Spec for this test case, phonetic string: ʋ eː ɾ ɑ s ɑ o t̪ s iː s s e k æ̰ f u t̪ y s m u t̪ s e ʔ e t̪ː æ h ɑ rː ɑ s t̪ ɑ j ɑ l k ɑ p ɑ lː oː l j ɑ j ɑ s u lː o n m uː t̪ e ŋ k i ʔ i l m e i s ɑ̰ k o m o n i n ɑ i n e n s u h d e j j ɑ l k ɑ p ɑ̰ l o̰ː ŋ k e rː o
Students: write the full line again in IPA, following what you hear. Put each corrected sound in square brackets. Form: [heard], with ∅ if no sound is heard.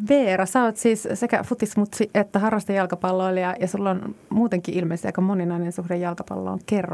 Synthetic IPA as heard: ʋ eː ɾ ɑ s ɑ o t̪ s iː s s e k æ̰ f u t̪ [i] s m u t̪ s [i] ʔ e t̪ː æ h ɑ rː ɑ s t̪ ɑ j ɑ l k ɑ p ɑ lː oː l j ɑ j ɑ s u lː o n m uː t̪ e ŋ k i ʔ i l m e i s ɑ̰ k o m o n i n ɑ i n e n s u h d e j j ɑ l k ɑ p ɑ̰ [lː] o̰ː ŋ k e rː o